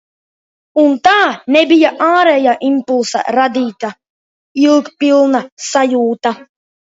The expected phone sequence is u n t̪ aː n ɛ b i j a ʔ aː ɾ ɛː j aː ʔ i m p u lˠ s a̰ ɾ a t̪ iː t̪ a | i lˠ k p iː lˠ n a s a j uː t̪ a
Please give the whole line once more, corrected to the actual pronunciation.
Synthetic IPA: u n t̪ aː n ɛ b i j a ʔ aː ɾ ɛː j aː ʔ i m p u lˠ s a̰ ɾ a d̪ iː t̪ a | i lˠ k p i lˠ n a s a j uː t̪ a